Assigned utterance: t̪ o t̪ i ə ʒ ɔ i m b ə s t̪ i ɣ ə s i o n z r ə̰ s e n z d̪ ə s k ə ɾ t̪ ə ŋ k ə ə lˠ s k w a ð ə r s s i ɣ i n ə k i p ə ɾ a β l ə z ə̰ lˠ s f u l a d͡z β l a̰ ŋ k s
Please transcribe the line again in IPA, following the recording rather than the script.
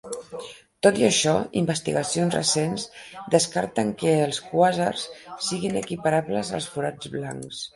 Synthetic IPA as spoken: t̪ o t̪ i ə ʃ ɔ i m b ə s t̪ i ɣ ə s i o n z r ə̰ s e n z d̪ ə s k a ɾ t̪ ə ŋ k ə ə lˠ s k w a z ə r s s i ɣ i n ə k i p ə ɾ a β l ə z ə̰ lˠ s f u ɾ a d͡z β l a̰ ŋ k s